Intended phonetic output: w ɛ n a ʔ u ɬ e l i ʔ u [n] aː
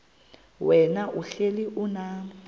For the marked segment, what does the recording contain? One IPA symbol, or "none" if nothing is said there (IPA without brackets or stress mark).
n